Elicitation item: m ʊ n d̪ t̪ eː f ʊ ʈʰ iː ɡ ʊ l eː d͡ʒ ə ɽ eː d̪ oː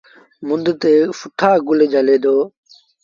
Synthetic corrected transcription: m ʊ n d̪ t̪ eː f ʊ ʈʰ aː ɡ ʊ l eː d͡ʒ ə l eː d̪ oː